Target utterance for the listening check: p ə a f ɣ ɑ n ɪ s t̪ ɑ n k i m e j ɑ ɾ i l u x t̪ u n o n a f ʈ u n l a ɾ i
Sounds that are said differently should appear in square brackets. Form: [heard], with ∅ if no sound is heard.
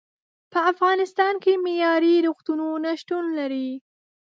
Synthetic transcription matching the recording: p ə a f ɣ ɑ n ɪ s t̪ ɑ n k [e] m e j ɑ ɾ i [ɾ] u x t̪ u n o n a [ʃ] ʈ u n l a ɾ i